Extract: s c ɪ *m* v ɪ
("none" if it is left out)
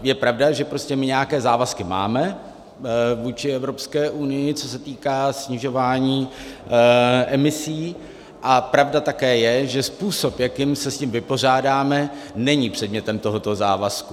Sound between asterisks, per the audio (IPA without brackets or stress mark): m